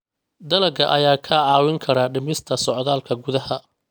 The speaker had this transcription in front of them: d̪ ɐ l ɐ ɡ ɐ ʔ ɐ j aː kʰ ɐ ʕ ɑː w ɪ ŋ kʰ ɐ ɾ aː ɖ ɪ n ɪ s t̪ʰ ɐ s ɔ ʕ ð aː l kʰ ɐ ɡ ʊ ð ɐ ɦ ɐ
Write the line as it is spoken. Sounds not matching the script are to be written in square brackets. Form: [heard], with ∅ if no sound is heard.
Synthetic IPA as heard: d̪ ɐ l ɐ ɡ ɐ ʔ ɐ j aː kʰ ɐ ʕ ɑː w ɪ ŋ kʰ ɐ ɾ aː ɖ ɪ [m] ɪ s t̪ʰ ɐ s ɔ ʕ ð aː l kʰ ɐ ɡ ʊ ð ɐ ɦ ɐ